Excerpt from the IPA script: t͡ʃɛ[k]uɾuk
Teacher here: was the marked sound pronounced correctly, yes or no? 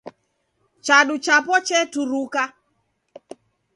no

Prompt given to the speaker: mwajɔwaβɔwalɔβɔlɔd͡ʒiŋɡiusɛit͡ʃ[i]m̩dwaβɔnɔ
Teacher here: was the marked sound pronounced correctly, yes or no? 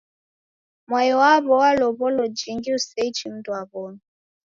yes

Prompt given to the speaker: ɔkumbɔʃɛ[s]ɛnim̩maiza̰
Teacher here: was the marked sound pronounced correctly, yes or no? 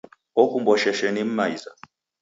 no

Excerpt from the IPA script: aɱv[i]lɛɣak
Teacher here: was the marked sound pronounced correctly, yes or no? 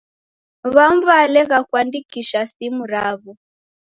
no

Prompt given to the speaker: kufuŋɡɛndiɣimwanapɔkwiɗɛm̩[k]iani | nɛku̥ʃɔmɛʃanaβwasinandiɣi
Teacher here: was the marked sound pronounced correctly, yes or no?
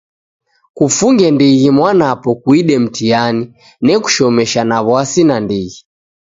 no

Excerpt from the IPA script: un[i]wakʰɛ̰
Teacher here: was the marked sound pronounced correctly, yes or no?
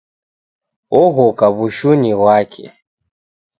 yes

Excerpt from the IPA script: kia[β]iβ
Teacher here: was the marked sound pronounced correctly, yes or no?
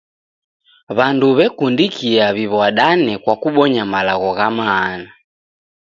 yes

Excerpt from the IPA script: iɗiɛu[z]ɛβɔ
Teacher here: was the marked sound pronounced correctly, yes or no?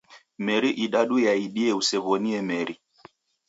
no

